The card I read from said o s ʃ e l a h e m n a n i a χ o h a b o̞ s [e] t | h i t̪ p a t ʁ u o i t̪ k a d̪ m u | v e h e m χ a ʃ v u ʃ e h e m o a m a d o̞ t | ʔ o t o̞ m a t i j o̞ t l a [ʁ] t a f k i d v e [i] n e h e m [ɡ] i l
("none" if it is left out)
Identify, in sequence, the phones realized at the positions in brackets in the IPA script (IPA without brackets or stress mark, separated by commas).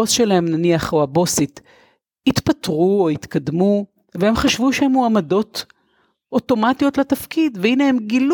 i, none, i, ɡ